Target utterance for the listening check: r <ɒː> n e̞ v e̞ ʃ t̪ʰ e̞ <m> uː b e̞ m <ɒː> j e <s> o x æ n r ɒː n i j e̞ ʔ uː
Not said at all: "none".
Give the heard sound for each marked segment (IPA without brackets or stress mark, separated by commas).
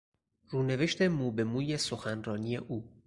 uː, m, uː, s